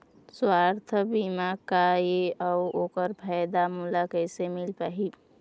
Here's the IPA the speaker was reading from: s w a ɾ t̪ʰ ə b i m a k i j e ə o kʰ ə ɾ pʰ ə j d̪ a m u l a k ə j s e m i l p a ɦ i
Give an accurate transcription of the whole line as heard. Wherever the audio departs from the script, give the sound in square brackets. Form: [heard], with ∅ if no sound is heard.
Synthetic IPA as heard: s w a ɾ t̪ʰ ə b i m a k [a] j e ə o [k] ə ɾ pʰ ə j d̪ a m u l a k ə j s e m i l p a ɦ i